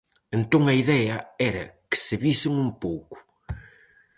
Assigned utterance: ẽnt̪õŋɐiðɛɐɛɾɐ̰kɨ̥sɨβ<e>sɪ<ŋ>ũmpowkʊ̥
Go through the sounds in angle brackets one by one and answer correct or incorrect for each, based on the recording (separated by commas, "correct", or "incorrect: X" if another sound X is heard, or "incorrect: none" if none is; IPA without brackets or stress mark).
incorrect: i, correct